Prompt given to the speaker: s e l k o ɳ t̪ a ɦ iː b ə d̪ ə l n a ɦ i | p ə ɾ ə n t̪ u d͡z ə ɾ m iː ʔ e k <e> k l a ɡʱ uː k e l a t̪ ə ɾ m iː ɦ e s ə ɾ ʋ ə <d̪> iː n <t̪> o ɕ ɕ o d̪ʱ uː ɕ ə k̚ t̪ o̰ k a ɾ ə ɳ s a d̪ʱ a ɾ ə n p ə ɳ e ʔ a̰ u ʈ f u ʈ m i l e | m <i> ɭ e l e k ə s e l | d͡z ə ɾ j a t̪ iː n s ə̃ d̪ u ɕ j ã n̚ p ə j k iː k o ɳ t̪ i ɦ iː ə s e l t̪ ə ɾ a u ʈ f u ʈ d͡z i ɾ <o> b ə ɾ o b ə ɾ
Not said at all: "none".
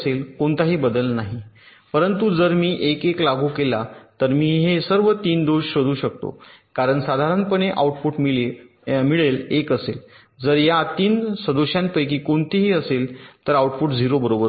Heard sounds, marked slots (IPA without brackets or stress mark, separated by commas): e, t̪, d̪, i, o